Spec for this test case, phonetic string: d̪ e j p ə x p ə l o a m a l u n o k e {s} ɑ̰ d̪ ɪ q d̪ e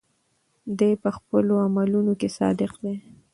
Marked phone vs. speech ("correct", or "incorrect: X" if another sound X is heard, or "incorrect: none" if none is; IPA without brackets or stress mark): correct